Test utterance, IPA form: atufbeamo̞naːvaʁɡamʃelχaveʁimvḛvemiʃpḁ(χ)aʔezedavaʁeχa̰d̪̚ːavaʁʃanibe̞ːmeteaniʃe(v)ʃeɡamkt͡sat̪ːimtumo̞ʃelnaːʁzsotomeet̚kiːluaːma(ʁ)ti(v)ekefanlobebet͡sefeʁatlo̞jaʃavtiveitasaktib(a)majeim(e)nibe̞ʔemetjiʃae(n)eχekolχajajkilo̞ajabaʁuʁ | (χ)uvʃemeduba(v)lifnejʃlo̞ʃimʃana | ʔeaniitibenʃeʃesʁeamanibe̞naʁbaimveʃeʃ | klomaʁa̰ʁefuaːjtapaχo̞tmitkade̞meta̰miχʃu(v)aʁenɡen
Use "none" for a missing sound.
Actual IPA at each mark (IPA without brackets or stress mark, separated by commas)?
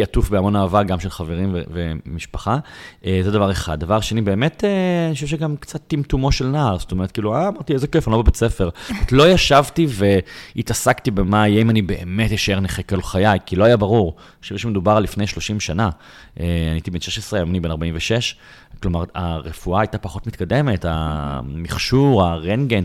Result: χ, v, ʁ, z, e, a, n, ʃ, ʁ, ʁ